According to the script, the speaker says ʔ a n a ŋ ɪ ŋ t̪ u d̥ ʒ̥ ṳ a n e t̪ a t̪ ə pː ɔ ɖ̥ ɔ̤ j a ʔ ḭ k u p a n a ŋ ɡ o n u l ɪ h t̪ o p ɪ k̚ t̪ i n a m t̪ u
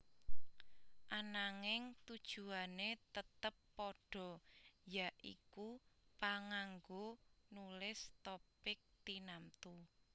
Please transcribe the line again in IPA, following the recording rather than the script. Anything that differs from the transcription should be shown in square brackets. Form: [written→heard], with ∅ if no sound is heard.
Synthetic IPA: ʔ a n a ŋ ɪ ŋ t̪ u d̥ ʒ̥ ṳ a n e t̪ [a→ə] t̪ ə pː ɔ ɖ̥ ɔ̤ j a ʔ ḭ k u p a [n→ŋ] a ŋ ɡ o n u l ɪ [h→s] t̪ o p ɪ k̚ t̪ i n a m t̪ u